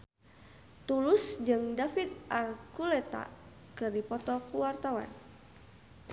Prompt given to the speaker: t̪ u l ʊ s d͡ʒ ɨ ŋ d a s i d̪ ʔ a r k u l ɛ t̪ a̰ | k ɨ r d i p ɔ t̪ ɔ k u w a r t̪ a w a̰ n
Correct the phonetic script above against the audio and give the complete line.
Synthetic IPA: t̪ u l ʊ s d͡ʒ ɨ ŋ d a f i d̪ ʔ a r k u l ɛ t̪ a̰ | k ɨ r d i p ɔ t̪ ɔ k u w a r t̪ a w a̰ n